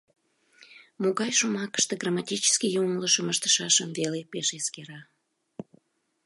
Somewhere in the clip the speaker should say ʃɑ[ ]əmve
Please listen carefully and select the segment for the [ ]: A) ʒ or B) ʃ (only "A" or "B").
B